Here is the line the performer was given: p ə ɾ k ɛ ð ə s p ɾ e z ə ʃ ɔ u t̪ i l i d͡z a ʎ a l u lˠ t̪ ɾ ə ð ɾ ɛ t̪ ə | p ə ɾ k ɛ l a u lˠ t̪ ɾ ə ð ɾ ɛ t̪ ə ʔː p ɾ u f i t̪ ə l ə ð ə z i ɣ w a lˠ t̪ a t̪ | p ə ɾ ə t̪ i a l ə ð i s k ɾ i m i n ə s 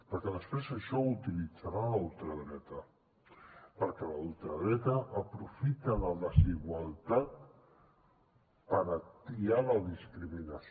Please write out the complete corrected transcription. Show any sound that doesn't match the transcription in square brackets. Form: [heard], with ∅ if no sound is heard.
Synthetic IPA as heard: p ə ɾ k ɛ ð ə s p ɾ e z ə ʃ ɔ u t̪ i l i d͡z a [ɾ] a l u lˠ t̪ ɾ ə ð ɾ ɛ t̪ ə | p ə ɾ k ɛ l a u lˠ t̪ ɾ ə ð ɾ ɛ t̪ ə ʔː p ɾ u f i t̪ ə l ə ð ə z i ɣ w a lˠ t̪ a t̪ | p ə ɾ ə t̪ i a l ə ð i s k ɾ i m i n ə s